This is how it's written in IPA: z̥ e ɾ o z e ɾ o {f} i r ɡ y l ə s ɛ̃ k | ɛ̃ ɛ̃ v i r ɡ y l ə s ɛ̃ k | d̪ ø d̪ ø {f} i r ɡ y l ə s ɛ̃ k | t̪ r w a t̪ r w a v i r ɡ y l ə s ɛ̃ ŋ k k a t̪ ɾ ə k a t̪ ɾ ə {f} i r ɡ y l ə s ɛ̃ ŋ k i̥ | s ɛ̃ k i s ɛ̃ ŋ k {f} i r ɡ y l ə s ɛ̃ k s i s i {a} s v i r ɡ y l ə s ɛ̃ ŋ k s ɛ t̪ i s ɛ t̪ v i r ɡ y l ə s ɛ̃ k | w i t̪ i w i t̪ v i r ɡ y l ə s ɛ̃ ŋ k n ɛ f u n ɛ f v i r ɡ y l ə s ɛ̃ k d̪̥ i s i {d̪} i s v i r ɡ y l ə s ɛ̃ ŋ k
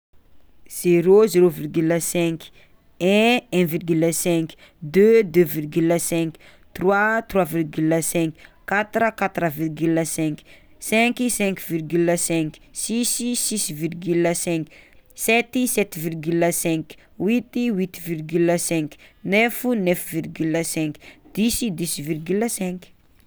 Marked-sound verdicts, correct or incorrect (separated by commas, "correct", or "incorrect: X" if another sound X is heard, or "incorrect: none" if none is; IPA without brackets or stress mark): incorrect: v, incorrect: v, incorrect: v, incorrect: v, incorrect: i, correct